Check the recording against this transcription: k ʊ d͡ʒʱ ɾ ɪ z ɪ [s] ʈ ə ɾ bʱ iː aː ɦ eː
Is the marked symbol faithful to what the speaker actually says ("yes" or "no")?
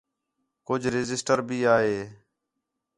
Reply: yes